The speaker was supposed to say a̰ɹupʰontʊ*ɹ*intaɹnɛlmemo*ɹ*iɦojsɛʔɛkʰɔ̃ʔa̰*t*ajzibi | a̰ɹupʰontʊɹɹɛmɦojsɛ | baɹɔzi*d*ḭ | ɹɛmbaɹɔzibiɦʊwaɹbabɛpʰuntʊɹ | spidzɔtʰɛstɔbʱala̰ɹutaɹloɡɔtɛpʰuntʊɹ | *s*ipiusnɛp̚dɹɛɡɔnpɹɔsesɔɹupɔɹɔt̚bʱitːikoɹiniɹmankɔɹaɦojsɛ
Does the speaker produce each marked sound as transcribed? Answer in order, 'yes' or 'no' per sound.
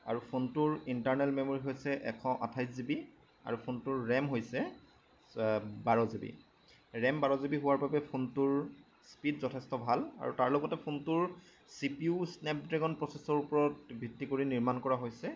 yes, yes, no, no, yes

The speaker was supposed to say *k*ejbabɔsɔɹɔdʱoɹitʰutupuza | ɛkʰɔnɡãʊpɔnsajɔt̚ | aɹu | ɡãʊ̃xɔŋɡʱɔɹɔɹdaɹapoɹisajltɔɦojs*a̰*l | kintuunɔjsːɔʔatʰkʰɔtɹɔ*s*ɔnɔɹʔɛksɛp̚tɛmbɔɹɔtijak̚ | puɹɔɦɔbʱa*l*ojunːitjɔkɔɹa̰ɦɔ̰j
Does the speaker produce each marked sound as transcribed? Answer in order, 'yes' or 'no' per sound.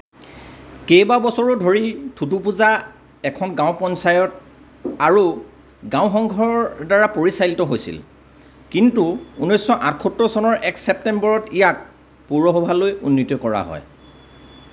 yes, no, yes, yes

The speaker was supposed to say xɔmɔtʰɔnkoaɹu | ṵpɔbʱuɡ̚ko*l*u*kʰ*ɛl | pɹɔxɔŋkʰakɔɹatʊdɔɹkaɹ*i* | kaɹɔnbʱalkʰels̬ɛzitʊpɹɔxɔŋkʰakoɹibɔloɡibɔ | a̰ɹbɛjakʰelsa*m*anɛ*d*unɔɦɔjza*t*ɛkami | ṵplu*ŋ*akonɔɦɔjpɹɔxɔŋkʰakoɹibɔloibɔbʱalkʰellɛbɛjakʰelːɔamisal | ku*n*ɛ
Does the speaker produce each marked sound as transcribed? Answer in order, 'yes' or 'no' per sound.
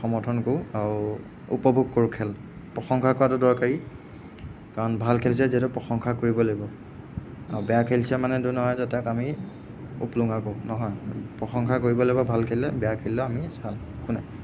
no, yes, yes, yes, yes, yes, yes, yes

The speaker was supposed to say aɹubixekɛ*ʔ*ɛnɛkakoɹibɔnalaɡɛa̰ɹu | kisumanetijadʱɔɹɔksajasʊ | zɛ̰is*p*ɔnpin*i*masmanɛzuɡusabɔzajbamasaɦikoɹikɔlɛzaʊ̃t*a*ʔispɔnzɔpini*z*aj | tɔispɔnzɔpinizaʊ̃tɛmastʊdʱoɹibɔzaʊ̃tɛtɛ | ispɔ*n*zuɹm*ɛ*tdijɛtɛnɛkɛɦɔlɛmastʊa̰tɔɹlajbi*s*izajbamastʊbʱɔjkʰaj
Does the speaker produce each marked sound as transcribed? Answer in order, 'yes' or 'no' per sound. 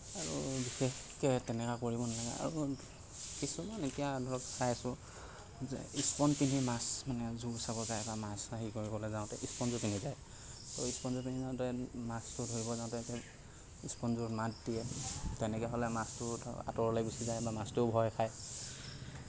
no, yes, yes, no, yes, yes, no, yes

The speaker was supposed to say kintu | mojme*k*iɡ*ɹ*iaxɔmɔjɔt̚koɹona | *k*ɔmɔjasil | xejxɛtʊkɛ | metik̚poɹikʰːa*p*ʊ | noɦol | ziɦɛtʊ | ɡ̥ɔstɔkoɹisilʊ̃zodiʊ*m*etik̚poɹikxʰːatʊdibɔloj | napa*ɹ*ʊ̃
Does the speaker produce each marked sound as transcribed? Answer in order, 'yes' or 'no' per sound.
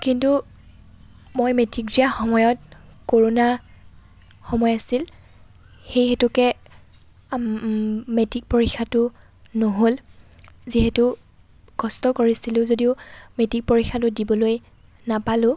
no, yes, no, no, yes, no

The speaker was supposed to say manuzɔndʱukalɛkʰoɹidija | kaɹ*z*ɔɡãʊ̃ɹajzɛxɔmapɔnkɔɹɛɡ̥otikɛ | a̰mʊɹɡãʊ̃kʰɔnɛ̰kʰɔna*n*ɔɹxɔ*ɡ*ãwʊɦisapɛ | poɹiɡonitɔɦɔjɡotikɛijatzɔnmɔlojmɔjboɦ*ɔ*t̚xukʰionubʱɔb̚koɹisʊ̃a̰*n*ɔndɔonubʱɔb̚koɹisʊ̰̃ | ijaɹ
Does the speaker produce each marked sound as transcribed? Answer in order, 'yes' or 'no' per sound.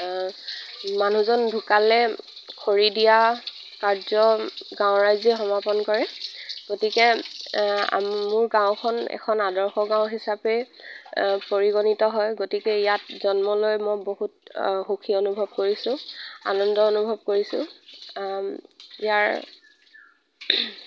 yes, no, yes, no, yes

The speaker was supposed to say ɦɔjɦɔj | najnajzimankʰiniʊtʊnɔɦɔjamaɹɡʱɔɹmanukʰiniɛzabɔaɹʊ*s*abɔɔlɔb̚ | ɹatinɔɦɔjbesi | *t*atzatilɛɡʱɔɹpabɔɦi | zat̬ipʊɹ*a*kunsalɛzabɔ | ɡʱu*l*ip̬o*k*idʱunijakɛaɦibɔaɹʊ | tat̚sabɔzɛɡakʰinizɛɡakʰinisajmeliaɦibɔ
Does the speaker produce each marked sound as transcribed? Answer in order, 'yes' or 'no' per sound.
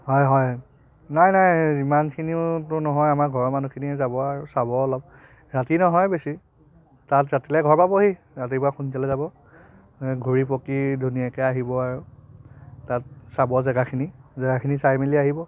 yes, yes, yes, no, yes

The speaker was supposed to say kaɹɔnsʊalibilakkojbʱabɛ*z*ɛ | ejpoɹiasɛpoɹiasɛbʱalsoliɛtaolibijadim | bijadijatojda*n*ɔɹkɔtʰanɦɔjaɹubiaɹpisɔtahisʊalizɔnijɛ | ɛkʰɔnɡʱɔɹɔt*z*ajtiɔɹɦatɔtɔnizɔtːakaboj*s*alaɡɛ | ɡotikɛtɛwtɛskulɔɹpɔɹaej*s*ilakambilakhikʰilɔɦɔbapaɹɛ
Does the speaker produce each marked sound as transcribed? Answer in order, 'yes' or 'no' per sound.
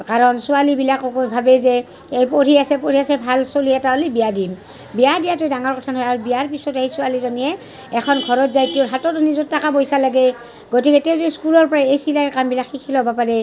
yes, no, yes, yes, yes

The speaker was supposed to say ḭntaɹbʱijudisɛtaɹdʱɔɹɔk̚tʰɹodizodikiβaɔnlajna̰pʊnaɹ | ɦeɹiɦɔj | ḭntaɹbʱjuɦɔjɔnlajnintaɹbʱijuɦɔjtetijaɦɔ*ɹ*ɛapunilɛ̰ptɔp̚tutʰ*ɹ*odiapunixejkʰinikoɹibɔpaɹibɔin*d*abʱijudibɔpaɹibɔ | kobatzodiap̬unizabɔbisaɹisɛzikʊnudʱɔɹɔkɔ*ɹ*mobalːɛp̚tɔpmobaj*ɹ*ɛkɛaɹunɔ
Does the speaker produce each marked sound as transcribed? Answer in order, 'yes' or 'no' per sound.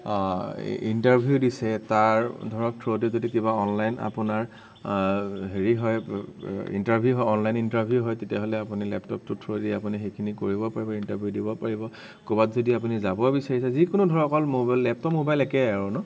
no, yes, no, no, no

